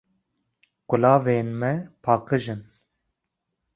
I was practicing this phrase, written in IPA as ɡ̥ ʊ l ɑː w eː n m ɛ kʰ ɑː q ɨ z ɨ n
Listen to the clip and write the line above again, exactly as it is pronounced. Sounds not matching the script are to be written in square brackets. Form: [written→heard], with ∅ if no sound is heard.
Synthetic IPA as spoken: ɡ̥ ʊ l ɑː [w→v] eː n m ɛ [kʰ→pʰ] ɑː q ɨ [z→ʒ] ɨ n